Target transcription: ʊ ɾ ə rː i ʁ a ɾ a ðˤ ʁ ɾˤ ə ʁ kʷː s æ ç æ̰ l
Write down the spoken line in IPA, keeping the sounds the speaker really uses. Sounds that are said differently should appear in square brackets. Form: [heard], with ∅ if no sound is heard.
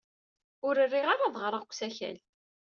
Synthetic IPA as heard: ʊ ɾ ə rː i ʁ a ɾ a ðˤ ʁ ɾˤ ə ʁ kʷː s æ ç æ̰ l